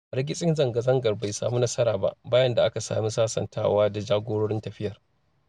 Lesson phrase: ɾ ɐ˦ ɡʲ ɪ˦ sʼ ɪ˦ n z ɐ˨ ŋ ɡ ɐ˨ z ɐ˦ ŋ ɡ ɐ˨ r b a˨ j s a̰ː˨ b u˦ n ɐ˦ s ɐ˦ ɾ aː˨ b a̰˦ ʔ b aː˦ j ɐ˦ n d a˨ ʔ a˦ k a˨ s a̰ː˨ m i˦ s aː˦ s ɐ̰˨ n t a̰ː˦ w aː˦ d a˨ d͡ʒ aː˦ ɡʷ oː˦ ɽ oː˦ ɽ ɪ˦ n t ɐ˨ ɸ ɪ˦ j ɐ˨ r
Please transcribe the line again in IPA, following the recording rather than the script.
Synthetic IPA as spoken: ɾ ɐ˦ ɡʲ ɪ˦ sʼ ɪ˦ n z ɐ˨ ŋ ɡ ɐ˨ z ɐ˦ ŋ ɡ ɐ˨ r b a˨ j s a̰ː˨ m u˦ n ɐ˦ s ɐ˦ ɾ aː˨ b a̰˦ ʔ b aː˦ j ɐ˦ n d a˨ ʔ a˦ k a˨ s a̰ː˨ m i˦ s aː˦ s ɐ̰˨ n t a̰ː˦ w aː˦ d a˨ d͡ʒ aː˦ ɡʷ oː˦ ɽ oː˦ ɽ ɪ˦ n t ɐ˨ ɸ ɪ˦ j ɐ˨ r

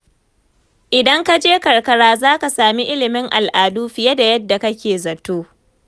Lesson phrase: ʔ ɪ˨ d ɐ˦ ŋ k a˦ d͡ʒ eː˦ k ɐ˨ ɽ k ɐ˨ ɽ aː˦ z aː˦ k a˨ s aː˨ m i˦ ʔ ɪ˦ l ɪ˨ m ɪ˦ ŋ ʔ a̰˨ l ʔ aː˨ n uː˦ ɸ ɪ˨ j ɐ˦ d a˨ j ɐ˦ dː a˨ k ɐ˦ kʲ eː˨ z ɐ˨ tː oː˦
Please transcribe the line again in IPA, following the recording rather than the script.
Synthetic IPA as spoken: ʔ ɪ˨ d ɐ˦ ŋ k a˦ d͡ʒ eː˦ k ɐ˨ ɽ k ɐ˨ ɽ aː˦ z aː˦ k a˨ s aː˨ m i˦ ʔ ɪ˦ l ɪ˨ m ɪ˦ ŋ ʔ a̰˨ l ʔ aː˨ d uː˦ ɸ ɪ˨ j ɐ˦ d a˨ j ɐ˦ dː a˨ k ɐ˦ kʲ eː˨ z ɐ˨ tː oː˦

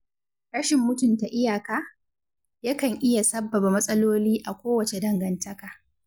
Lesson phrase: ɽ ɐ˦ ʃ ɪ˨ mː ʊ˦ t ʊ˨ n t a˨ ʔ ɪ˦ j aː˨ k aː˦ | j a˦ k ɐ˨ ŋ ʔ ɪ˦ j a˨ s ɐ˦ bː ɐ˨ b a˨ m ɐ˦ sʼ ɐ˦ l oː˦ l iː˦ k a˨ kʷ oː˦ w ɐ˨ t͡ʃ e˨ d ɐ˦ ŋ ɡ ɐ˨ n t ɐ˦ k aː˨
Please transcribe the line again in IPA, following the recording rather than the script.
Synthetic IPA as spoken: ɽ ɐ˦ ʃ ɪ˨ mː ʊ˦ t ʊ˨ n t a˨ ʔ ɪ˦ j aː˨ k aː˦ | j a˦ k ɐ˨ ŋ ʔ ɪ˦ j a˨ s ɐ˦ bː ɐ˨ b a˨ m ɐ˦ sʼ ɐ˦ l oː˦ l iː˦ ʔ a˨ kʷ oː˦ w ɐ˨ t͡ʃ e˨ d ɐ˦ ŋ ɡ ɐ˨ n t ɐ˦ k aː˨

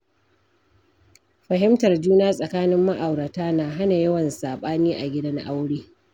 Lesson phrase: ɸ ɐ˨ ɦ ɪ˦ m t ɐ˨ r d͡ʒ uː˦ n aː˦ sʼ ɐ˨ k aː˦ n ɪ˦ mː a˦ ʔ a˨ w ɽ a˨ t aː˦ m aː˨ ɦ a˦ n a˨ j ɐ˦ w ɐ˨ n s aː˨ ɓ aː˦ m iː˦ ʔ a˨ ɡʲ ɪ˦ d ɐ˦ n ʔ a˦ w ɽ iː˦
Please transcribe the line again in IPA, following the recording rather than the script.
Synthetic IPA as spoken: ɸ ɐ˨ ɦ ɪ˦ m t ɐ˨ r d͡ʒ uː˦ n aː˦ sʼ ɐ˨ k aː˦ n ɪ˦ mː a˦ ʔ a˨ w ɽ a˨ t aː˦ n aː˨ ɦ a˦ n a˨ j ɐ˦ w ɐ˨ n s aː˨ ɓ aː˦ n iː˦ ʔ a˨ ɡʲ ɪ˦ d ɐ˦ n ʔ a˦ w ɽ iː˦

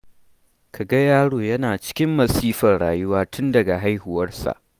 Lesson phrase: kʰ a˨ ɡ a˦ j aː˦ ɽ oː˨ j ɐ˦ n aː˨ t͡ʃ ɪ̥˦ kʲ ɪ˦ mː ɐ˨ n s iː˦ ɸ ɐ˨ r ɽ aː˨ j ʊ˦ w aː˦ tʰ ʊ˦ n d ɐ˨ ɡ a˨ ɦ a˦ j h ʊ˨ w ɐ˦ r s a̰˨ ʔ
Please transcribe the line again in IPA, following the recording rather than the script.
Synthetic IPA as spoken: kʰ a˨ ɡ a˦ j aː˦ ɽ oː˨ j ɐ˦ n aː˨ t͡ʃ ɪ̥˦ kʲ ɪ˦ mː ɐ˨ s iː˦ ɸ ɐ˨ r ɽ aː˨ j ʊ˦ w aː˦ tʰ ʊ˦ n d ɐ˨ ɡ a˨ ɦ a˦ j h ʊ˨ w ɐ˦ r s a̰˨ ʔ

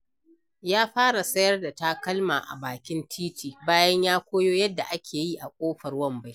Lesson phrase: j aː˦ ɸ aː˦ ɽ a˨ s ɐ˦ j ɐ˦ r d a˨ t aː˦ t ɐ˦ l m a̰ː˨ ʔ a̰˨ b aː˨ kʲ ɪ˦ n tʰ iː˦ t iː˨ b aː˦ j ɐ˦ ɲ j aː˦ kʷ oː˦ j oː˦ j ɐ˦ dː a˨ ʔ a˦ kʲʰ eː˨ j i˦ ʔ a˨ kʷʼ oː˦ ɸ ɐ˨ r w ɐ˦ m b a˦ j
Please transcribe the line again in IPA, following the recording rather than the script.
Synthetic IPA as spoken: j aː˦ ɸ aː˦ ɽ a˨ s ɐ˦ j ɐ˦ r d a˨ t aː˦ k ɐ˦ l m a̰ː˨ ʔ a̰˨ b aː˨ kʲ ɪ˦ n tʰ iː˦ t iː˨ b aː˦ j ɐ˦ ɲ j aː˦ kʷ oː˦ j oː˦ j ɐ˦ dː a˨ ʔ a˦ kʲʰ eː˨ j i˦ ʔ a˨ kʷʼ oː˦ ɸ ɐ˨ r w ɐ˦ m b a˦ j

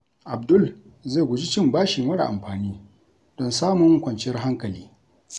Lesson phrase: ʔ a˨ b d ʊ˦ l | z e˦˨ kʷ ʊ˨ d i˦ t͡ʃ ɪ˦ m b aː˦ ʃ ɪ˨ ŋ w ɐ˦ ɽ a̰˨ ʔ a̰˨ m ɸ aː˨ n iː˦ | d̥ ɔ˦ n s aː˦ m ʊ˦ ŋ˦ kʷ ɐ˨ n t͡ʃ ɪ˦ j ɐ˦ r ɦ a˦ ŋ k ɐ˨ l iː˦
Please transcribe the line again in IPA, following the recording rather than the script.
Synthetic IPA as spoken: ʔ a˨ b d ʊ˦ l | z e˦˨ ɡʷ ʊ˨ d͡ʒ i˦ t͡ʃ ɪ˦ m b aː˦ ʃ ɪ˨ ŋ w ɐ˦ ɽ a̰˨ ʔ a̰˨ m ɸ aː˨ n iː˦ | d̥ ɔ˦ n s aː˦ m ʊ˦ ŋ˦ kʷ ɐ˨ n t͡ʃ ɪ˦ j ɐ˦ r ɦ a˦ ŋ k ɐ˨ l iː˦

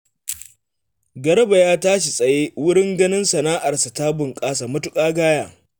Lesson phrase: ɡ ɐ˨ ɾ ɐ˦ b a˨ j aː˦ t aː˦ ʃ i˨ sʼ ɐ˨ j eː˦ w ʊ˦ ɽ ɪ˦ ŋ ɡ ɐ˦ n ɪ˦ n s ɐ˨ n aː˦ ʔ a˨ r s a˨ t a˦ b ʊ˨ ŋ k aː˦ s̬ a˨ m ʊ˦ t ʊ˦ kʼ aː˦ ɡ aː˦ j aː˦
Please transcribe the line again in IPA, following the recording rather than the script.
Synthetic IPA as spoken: ɡ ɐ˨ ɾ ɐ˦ b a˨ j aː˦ t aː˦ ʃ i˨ sʼ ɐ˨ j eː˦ w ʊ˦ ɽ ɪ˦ ŋ ɡ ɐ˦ n ɪ˦ n s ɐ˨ n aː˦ ʔ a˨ r s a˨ t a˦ b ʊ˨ ŋ kʼ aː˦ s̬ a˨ m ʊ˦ t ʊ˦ kʼ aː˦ ɡ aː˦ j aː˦

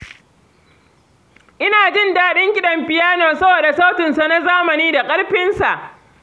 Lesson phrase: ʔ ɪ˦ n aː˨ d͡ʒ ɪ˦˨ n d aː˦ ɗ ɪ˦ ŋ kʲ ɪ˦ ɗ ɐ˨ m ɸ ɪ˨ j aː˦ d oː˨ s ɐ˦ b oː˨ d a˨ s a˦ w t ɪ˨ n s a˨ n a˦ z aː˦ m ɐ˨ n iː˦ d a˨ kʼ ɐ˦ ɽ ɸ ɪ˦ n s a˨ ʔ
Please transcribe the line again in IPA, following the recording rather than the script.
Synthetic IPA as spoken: ʔ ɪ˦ n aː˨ d͡ʒ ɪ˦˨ n d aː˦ ɗ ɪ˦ ŋ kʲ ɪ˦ ɗ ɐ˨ m ɸ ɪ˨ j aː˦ n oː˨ s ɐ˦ b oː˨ d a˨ s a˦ w t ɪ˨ n s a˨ n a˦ z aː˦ m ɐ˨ n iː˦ d a˨ kʼ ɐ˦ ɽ ɸ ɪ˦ n s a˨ ʔ

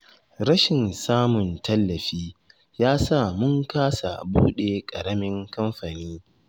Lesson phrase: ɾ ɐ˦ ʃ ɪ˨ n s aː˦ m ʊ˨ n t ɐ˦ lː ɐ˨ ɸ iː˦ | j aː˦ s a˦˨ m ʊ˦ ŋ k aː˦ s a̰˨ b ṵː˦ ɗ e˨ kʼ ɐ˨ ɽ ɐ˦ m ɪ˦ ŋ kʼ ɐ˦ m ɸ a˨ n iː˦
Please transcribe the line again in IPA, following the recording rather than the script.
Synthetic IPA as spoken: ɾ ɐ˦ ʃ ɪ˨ n s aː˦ m ʊ˨ n t ɐ˦ lː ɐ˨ ɸ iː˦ | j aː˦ s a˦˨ m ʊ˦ ŋ k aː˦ s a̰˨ b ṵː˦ ɗ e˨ kʼ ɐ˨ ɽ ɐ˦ m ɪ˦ ŋ k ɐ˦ m ɸ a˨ n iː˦

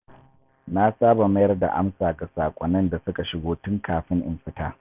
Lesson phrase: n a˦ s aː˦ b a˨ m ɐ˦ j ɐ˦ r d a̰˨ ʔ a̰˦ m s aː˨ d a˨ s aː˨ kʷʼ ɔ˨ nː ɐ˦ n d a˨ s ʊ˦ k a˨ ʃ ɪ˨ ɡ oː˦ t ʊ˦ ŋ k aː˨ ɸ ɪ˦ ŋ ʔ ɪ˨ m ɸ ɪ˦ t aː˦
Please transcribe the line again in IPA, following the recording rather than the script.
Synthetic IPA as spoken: n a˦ s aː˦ b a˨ m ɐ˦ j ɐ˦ r d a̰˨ ʔ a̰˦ m s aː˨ ɡ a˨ s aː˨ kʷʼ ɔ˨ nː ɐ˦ n d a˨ s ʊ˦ k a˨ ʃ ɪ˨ ɡ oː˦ t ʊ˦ ŋ k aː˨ ɸ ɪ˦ ŋ ʔ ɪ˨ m ɸ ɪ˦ t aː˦

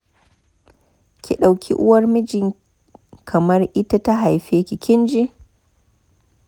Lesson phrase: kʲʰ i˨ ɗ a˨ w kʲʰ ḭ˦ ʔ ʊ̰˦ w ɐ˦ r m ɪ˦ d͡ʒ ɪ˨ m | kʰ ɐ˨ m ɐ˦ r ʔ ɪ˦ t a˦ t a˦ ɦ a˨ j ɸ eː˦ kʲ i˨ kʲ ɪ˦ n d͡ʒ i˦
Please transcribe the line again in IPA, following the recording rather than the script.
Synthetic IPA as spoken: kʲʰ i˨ ɗ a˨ w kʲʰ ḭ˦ ʔ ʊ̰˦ w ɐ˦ r m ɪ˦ d͡ʒ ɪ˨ ŋ | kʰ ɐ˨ m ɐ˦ r ʔ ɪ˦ t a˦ t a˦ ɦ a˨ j ɸ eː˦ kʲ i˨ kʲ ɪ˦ n d͡ʒ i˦

